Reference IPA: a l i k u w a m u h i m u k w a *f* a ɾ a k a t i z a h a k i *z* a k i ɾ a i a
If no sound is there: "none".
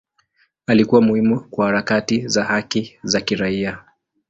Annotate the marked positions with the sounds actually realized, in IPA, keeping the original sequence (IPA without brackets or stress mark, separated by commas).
h, z